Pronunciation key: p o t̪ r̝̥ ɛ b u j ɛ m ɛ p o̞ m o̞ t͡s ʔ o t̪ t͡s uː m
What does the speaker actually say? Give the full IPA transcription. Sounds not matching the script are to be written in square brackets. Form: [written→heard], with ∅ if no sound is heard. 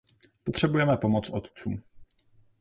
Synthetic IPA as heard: p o t̪ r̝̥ ɛ b u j ɛ m ɛ p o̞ m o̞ t͡s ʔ o t̪ t͡s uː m

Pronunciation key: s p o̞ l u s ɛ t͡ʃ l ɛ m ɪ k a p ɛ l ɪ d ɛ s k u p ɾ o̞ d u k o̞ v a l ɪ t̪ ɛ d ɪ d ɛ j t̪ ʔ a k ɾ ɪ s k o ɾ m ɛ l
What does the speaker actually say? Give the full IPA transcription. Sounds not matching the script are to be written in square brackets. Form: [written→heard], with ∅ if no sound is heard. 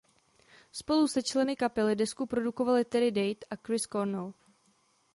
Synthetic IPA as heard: s p o̞ l u s ɛ t͡ʃ l ɛ [m→n] ɪ k a p ɛ l ɪ d ɛ s k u p ɾ o̞ d u k o̞ v a l ɪ t̪ ɛ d ɪ d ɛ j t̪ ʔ a k ɾ ɪ s k o ɾ [m→n] ɛ l

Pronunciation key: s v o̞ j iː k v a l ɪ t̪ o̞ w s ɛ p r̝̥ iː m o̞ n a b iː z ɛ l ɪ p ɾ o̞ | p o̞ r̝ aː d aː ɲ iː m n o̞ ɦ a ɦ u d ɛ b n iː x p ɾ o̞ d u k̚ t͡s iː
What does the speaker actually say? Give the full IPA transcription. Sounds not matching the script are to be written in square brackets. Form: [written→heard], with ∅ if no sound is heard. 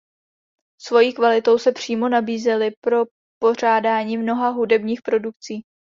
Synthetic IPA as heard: s v o̞ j iː k v a l ɪ t̪ o̞ w s ɛ p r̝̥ iː m o̞ n a b iː z ɛ l ɪ p ɾ o̞ | p o̞ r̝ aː d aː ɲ iː m n o̞ ɦ a ɦ u d ɛ b [n→ɲ] iː x p ɾ o̞ d u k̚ t͡s iː

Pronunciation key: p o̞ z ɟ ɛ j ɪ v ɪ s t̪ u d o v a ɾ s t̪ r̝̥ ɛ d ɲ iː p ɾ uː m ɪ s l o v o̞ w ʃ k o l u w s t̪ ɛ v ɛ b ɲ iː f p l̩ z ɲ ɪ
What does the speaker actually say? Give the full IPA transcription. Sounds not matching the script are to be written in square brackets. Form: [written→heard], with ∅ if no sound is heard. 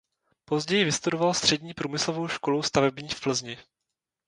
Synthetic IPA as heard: p o̞ z ɟ ɛ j ɪ v ɪ s t̪ u d o v a [ɾ→l] s t̪ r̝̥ ɛ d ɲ iː p ɾ uː m ɪ s l o v o̞ w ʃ k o l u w s t̪ [ɛ→a] v ɛ b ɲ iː f p l̩ z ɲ ɪ

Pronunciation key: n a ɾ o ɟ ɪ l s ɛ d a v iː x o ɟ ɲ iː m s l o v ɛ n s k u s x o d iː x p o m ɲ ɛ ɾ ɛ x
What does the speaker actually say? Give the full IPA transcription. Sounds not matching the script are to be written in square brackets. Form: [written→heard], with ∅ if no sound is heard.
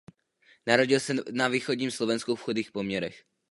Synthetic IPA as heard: n a ɾ o ɟ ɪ l s ɛ [d→n] a v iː x o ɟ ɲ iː m s l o v ɛ n s k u [s→f] x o d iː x p o m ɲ ɛ ɾ ɛ x

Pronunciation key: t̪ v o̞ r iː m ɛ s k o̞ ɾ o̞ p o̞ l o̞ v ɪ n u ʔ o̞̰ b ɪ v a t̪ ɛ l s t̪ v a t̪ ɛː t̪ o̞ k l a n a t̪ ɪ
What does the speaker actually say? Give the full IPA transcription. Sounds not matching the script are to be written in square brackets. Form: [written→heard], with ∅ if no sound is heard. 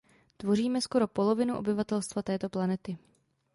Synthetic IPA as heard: t̪ v o̞ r iː m ɛ s k o̞ ɾ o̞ p o̞ l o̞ v ɪ n u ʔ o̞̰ b ɪ v a t̪ ɛ l s t̪ v a t̪ ɛː t̪ o̞ [k→p] l a n [a→ɛ] t̪ ɪ

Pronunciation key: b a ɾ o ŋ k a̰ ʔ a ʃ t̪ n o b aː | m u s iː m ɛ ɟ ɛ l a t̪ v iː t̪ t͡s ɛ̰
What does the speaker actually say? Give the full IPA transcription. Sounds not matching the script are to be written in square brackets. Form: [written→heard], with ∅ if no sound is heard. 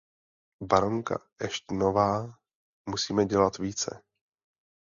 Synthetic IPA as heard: b a ɾ o ŋ k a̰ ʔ [a→ɛ] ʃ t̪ n o [b→v] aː | m u s iː m ɛ ɟ ɛ l a t̪ v iː [t̪→∅] t͡s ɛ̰

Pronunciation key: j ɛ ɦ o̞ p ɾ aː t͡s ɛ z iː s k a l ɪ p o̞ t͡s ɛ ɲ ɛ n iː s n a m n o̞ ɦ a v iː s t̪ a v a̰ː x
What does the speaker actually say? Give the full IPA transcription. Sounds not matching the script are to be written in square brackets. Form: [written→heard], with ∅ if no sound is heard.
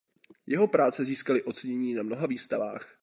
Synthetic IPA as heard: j ɛ ɦ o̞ p ɾ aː t͡s ɛ z iː s k a l ɪ [p→ʔ] o̞ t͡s ɛ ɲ ɛ [n→ɲ] iː [s→∅] n a m n o̞ ɦ a v iː s t̪ a v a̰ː x

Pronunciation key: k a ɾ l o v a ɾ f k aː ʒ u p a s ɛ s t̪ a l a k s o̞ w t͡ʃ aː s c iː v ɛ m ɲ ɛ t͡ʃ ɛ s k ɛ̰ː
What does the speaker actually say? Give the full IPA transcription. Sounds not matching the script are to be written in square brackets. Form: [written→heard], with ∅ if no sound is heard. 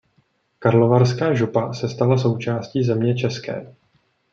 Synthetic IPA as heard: k a ɾ l o v a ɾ [f→s] k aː ʒ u p a s ɛ s t̪ a l a [k→∅] s o̞ w t͡ʃ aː s c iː [v→z] ɛ m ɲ ɛ t͡ʃ ɛ s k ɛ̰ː

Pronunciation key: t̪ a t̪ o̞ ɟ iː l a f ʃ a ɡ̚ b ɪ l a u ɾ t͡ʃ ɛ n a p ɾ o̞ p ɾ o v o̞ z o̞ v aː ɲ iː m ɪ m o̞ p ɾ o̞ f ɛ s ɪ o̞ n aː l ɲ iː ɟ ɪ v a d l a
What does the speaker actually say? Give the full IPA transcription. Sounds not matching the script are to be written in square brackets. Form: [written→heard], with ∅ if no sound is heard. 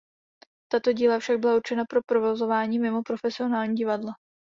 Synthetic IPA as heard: t̪ a t̪ o̞ ɟ iː l a f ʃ a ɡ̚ b ɪ l a u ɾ t͡ʃ ɛ n a p ɾ o̞ p ɾ o v o̞ z o̞ v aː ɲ iː m ɪ m o̞ p ɾ o̞ f ɛ s ɪ o̞ n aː l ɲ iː ɟ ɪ v a d l a

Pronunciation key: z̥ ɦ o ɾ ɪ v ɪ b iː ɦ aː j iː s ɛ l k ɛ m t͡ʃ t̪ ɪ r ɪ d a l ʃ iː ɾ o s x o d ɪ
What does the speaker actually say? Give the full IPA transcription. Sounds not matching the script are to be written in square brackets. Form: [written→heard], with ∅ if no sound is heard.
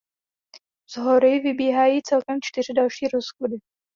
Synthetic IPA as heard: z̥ ɦ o ɾ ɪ v ɪ b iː ɦ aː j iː [s→t͡s] ɛ l k ɛ m t͡ʃ t̪ ɪ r ɪ d a l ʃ iː ɾ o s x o d ɪ

